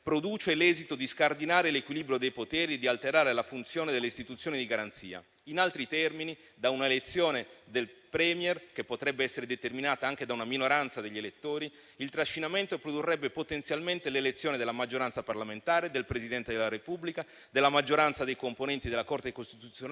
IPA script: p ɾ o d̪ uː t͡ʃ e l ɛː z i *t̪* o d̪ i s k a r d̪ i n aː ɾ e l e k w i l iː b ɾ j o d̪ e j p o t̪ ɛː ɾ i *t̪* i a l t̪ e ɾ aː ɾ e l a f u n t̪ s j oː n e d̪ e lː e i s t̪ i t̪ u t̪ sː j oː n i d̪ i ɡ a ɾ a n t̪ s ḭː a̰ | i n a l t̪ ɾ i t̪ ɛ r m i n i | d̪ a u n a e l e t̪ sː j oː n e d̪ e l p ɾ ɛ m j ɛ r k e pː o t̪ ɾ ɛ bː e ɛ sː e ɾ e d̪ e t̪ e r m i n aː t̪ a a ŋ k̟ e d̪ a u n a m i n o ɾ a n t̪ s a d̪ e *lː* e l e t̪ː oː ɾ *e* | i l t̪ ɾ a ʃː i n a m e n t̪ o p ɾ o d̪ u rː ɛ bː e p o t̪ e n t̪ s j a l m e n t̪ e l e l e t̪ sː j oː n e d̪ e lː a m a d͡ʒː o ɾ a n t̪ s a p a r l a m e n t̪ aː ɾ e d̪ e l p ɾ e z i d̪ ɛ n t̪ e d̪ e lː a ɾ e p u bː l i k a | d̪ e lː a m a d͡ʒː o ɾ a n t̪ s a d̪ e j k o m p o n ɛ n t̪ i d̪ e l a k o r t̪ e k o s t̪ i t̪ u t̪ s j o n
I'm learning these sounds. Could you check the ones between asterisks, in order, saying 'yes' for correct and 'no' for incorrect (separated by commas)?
yes, no, no, no